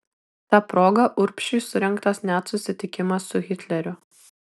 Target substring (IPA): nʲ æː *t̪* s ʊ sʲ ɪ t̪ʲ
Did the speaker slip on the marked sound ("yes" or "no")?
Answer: no